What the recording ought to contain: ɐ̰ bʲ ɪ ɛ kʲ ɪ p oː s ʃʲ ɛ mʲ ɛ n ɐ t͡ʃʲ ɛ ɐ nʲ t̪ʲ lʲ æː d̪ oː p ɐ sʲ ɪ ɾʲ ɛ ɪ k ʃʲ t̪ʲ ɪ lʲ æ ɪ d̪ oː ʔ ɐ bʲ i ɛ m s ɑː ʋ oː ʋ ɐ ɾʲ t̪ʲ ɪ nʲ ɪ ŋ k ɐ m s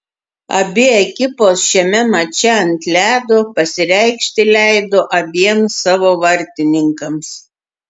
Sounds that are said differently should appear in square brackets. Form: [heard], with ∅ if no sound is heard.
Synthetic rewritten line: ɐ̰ bʲ ɪ ɛ kʲ ɪ p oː s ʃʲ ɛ mʲ ɛ [m] ɐ t͡ʃʲ ɛ ɐ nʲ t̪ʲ lʲ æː d̪ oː p ɐ sʲ ɪ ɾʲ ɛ ɪ k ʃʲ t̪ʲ ɪ lʲ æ ɪ d̪ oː ʔ ɐ bʲ i ɛ m s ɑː ʋ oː ʋ ɐ ɾʲ t̪ʲ ɪ nʲ ɪ ŋ k ɐ m s